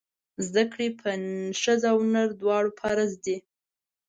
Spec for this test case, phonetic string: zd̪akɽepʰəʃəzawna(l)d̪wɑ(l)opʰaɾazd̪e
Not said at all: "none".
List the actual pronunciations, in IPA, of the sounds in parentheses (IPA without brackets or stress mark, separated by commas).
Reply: ɾ, ɽ